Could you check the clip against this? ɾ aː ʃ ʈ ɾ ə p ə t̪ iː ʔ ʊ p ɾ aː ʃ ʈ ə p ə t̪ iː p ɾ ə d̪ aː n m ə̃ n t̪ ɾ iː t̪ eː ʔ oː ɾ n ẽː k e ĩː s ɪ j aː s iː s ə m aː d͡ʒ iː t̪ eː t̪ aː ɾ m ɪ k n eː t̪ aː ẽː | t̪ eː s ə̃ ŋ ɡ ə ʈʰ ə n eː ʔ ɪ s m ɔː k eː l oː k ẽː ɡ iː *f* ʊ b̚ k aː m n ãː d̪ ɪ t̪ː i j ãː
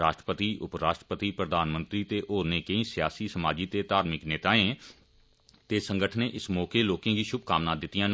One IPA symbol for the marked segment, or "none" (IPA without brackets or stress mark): ʃ